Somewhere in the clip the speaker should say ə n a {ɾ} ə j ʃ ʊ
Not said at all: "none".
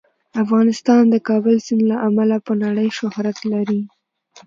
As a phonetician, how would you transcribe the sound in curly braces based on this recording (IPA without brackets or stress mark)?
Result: ɽ